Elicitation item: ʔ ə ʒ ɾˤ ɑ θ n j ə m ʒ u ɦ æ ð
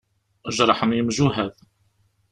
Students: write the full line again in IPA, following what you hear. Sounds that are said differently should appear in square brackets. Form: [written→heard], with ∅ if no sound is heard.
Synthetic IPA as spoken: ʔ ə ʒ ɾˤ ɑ [θ→ħ] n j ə m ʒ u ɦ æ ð